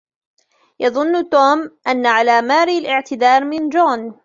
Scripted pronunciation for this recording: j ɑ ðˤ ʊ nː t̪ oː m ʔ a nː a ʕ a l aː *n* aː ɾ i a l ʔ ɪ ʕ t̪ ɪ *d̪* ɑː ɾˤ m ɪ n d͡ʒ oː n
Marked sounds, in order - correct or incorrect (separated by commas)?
incorrect, correct